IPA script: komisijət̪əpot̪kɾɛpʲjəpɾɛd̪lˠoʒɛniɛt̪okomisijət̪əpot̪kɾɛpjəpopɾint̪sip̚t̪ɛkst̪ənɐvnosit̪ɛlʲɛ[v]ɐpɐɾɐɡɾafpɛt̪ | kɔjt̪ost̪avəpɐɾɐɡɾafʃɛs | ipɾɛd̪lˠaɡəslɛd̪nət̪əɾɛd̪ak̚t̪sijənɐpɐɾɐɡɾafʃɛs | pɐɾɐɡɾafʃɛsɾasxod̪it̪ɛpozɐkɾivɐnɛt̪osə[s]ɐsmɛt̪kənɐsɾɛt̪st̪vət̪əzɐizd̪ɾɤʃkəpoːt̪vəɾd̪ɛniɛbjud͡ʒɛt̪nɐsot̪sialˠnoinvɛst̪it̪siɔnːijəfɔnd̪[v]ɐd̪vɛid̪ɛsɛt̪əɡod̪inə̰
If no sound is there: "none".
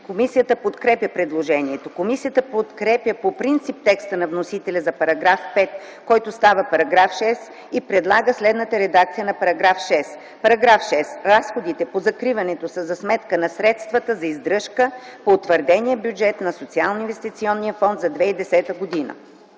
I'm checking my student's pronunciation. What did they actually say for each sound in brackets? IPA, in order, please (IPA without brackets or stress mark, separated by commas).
z, z, z